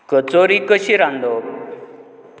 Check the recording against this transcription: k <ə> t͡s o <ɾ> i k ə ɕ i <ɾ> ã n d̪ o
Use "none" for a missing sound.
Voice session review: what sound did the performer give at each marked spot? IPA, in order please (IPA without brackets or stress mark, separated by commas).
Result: ə, ɾ, ɾ